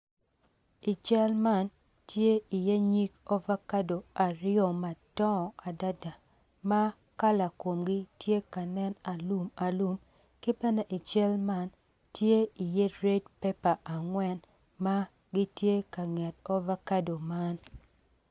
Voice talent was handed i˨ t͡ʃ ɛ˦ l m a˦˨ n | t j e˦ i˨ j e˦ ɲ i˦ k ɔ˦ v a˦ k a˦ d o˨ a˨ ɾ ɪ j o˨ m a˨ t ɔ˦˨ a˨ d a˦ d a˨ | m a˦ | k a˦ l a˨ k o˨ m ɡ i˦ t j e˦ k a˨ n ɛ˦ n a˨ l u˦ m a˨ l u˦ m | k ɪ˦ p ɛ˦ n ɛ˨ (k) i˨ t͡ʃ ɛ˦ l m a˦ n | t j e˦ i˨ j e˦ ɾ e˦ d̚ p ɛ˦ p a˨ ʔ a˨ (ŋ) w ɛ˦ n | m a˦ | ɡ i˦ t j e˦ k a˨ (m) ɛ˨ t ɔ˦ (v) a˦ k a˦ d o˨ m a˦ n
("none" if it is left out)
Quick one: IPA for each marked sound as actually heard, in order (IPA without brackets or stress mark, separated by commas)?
ʔ, ŋ, ŋ, v